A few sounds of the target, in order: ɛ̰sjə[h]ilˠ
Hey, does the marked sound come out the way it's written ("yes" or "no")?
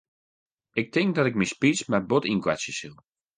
no